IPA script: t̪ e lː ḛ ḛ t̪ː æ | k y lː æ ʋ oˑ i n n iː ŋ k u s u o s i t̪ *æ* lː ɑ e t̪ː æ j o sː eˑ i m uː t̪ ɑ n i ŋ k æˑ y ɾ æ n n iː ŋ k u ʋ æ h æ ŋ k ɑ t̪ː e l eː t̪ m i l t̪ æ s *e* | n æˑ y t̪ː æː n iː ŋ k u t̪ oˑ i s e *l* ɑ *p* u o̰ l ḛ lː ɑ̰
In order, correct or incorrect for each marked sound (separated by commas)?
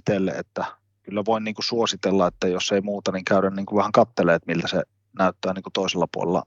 incorrect, correct, incorrect, correct